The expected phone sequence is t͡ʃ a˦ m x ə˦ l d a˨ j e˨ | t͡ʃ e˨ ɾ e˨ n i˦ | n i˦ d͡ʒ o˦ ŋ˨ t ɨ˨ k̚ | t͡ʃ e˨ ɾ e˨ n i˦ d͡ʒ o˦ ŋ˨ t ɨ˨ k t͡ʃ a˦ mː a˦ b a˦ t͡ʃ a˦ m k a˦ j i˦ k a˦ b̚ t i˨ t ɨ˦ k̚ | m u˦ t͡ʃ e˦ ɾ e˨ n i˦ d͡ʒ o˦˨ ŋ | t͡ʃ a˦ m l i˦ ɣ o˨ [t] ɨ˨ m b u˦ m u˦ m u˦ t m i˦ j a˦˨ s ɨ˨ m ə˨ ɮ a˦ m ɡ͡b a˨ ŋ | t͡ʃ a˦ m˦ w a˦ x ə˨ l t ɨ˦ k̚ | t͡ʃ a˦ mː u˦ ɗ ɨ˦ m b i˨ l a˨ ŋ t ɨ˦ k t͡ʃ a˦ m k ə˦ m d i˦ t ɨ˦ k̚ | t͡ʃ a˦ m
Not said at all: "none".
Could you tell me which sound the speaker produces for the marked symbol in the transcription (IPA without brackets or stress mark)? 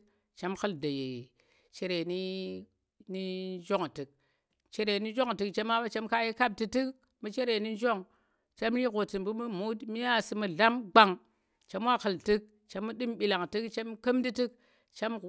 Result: t